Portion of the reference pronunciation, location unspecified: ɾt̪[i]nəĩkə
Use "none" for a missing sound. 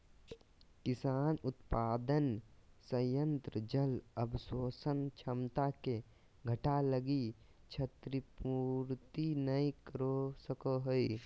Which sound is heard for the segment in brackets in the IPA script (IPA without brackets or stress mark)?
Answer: i